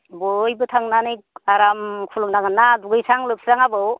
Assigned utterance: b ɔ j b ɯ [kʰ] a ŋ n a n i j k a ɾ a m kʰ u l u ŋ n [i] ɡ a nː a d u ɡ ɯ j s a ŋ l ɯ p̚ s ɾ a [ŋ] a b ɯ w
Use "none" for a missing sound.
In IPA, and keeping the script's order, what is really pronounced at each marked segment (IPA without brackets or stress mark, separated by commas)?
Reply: tʰ, a, ŋ